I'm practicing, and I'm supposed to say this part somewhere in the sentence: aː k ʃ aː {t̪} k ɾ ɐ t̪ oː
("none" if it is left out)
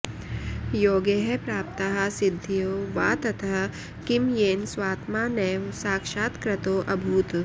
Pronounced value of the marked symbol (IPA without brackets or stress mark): t̪